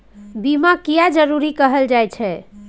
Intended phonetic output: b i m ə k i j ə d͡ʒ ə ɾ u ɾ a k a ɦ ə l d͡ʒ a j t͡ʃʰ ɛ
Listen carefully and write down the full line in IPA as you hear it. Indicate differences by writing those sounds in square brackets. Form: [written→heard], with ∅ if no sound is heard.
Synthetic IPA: b i m [ə→a] k i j [ə→a] d͡ʒ ə ɾ u ɾ [a→i] k [a→ə] ɦ ə l d͡ʒ a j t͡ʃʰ ɛ